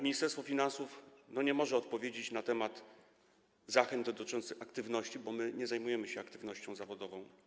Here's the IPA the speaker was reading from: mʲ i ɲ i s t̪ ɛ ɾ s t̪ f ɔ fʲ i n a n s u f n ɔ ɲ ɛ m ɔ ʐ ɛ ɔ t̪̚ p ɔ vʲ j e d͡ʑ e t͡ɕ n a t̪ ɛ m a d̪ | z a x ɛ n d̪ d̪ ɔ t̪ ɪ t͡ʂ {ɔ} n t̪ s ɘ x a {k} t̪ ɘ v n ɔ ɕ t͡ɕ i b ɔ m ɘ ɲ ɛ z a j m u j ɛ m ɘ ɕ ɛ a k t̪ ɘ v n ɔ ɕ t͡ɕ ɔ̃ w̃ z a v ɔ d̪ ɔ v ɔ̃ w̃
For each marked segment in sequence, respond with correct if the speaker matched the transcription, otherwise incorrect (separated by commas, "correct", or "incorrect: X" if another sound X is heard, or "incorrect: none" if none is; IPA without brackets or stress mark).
correct, correct